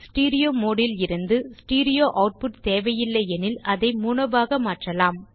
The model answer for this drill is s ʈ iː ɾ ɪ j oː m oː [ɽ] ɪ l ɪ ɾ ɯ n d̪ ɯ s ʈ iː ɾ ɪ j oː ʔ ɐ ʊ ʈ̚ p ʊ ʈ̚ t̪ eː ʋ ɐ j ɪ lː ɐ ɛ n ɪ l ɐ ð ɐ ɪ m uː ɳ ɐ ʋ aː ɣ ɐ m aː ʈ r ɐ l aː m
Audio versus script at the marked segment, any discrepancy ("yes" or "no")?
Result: no